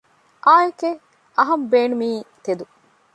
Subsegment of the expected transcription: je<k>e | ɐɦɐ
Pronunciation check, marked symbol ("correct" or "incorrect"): correct